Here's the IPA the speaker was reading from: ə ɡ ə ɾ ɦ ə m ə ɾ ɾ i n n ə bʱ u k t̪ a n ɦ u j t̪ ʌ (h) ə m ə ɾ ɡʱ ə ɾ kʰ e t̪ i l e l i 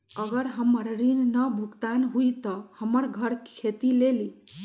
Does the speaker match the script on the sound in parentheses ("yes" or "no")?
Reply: yes